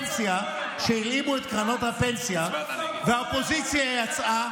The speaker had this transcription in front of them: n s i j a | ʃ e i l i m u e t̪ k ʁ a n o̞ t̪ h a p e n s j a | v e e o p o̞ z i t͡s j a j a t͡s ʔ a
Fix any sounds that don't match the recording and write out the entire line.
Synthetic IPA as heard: n s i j a | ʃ e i l i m u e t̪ k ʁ a n o̞ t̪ h a p e n s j a | v e a o p o̞ z i t͡s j a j a t͡s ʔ a